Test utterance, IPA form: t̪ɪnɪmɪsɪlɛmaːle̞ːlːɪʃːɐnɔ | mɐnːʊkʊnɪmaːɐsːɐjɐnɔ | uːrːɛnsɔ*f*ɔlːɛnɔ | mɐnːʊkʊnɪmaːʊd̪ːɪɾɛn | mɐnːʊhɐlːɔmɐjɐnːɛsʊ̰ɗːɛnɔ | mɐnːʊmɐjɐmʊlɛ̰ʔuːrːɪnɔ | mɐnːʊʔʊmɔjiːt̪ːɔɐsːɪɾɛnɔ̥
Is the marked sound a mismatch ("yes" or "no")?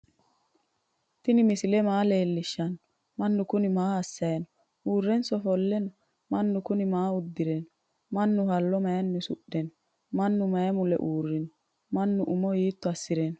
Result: no